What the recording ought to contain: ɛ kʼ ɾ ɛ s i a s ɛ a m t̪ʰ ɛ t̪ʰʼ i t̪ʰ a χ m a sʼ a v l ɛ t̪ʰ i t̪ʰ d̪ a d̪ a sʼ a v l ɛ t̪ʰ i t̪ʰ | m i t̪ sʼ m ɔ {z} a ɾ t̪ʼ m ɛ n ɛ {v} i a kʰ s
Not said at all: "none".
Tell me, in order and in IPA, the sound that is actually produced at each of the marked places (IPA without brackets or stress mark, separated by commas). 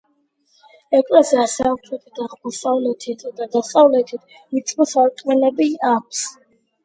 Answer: s, b